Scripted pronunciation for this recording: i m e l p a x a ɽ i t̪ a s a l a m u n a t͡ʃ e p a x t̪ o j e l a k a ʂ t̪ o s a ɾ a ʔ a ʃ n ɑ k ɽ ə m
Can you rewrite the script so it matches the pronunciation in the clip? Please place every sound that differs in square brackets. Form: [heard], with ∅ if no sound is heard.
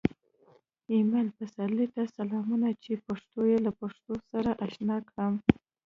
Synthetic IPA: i m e l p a [s] a [l] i t̪ a s a l [ɑ] m u n a t͡ʃ e p a [ʂ] t̪ o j e l a [p] a ʂ t̪ o s a ɾ a ʔ a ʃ n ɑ k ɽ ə m